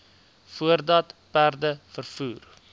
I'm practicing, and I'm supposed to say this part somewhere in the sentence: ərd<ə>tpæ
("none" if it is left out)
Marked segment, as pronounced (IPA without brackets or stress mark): ɐ